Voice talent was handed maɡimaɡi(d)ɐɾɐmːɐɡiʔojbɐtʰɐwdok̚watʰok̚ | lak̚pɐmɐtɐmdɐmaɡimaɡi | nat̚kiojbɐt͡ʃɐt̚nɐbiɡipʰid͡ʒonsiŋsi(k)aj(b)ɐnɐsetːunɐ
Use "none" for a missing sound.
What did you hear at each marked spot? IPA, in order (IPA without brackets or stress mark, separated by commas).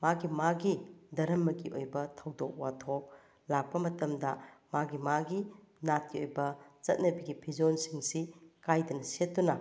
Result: d, k, d